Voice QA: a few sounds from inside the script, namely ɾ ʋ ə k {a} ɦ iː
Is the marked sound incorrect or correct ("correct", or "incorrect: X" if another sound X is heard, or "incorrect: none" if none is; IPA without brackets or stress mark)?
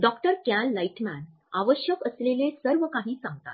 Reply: correct